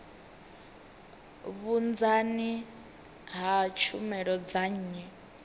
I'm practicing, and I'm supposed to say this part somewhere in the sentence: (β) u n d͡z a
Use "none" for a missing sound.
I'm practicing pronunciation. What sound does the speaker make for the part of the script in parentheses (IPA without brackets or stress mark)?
β